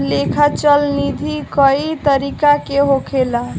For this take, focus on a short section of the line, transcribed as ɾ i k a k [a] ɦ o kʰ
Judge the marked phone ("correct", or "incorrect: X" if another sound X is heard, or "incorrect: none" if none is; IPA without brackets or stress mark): incorrect: e